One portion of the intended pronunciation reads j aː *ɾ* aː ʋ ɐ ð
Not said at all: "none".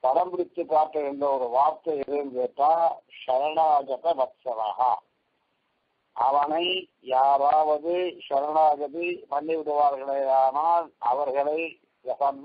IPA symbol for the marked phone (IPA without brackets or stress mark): ɾ